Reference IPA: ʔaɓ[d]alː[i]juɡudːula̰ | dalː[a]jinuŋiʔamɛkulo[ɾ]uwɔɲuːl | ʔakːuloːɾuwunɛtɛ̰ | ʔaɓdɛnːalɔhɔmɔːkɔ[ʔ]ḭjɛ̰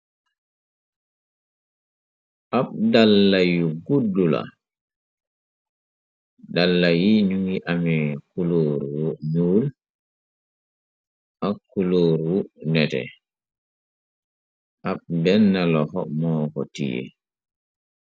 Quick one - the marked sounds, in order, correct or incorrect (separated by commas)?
correct, incorrect, correct, correct, incorrect